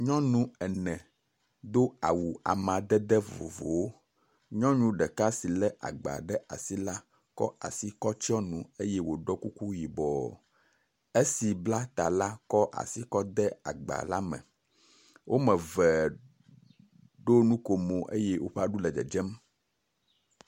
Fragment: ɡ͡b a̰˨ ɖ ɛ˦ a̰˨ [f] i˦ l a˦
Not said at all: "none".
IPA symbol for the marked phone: s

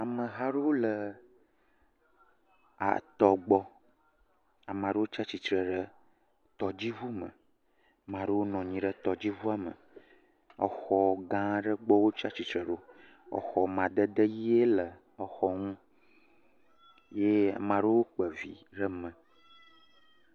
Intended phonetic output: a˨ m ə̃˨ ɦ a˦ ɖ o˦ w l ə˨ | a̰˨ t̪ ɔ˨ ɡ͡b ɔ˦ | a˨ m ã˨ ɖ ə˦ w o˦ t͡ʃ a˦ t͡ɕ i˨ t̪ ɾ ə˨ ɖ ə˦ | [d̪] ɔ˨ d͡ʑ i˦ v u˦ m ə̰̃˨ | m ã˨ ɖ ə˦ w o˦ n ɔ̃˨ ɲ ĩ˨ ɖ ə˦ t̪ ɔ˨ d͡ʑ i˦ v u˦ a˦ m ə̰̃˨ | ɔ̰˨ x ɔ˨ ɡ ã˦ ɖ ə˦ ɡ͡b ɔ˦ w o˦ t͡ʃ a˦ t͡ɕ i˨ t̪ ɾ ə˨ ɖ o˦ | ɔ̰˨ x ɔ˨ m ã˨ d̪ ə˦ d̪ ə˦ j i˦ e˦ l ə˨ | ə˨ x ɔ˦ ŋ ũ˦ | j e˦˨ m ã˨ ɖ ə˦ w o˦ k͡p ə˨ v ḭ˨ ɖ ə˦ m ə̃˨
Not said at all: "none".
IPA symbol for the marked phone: t̪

